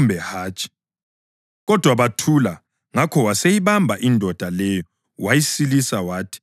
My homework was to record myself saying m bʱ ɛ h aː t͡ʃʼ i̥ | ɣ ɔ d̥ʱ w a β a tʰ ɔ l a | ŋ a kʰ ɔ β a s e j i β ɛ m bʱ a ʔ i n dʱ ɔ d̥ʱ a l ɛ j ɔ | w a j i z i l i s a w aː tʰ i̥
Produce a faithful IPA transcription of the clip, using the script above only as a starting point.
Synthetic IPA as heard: m bʱ ɛ h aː t͡ʃʼ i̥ | ɣ ɔ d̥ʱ w a β a tʰ u l a | ŋ a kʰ ɔ w a s e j i β a m bʱ a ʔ i n dʱ ɔ d̥ʱ a l ɛ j ɔ | w a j i s i l i s a w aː tʰ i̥